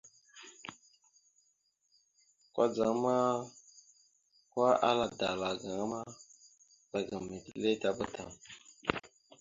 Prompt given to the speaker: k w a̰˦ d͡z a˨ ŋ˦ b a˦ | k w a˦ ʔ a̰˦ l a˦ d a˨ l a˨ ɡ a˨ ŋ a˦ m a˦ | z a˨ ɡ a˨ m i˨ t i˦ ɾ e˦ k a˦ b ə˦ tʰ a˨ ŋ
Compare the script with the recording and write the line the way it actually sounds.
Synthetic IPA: k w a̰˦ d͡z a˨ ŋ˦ m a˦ | k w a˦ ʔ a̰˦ l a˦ d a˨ l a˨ ɡ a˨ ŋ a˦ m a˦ | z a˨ ɡ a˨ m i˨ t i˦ l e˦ t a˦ b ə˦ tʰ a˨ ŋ

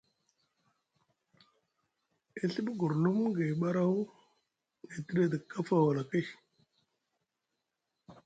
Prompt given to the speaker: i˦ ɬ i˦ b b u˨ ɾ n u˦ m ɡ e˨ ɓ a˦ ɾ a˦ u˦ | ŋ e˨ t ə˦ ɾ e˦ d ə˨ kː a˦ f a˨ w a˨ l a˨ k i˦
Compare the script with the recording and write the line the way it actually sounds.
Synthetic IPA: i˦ ɬ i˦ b ɡ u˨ ɾ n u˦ m ɡ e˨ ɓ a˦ ɾ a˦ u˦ | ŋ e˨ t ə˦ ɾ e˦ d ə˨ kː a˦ f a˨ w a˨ l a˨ k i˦

